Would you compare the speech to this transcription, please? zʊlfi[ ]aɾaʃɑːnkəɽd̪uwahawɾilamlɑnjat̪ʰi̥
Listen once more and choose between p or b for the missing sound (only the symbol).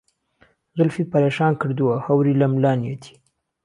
p